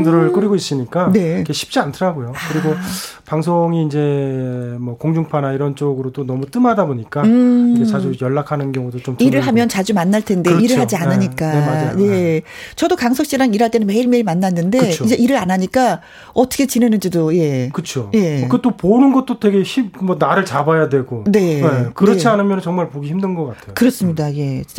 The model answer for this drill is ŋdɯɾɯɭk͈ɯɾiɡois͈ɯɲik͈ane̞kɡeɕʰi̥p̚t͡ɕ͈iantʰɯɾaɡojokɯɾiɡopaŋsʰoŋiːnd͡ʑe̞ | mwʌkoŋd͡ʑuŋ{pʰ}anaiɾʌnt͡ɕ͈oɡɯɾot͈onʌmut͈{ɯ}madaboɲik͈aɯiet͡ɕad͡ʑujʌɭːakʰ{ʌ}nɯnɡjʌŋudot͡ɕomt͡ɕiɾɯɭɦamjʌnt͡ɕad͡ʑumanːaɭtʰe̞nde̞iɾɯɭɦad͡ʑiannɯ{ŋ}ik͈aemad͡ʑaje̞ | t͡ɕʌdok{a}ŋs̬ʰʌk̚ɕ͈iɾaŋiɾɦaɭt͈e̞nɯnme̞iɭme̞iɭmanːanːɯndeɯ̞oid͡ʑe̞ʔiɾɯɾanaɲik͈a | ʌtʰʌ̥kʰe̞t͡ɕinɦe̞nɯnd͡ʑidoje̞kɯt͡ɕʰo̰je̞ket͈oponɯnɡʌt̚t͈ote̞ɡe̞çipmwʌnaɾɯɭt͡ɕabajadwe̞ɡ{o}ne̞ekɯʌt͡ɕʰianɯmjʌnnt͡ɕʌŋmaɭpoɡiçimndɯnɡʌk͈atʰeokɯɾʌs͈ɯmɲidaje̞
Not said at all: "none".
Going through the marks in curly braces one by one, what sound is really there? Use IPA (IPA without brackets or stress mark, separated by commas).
pʰ, ɯ, a, ɲ, a, o